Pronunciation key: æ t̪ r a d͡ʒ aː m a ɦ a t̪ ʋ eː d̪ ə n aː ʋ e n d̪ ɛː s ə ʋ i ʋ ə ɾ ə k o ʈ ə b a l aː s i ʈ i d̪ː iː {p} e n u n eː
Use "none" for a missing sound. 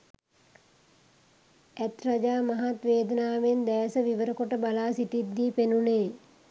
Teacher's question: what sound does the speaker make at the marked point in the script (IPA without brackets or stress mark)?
p